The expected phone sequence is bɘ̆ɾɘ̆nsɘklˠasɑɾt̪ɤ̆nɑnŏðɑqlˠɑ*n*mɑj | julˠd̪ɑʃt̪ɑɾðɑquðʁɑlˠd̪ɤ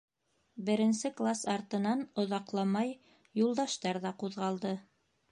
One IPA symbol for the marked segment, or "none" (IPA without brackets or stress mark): none